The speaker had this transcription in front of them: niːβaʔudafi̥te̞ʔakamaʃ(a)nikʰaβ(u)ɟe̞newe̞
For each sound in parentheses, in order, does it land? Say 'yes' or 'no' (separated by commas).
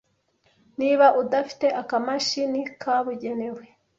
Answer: no, yes